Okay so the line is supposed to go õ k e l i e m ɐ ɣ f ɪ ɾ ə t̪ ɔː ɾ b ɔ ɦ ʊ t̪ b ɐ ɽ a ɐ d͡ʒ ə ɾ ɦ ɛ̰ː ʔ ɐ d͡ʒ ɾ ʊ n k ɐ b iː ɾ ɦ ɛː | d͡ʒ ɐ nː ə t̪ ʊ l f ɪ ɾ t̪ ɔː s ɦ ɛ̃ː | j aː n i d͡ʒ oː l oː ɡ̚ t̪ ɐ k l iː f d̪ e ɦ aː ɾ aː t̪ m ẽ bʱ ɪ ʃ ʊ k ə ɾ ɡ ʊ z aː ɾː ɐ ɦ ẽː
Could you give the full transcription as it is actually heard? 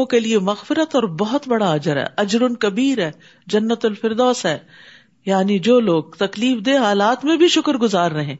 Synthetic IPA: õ k e l i e m ɐ ɣ f ɪ ɾ ə t̪ ɔː ɾ b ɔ ɦ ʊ t̪ b ɐ ɽ a ɐ d͡ʒ ə ɾ ɦ ɛ̰ː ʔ ɐ d͡ʒ ɾ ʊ n k ɐ b iː ɾ ɦ ɛː | d͡ʒ ɐ nː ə t̪ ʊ l f ɪ ɾ d̪ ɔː s ɦ ɛː | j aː n i d͡ʒ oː l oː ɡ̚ t̪ ɐ k l iː f d̪ e ɦ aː l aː t̪ m ẽ bʱ i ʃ ʊ k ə ɾ ɡ ʊ z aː ɾː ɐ ɦ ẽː